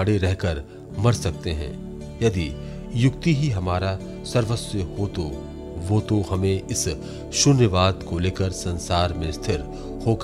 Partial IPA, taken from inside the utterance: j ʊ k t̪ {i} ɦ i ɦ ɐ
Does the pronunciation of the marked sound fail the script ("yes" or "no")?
no